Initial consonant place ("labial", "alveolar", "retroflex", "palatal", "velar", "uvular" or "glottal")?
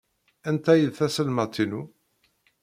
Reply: alveolar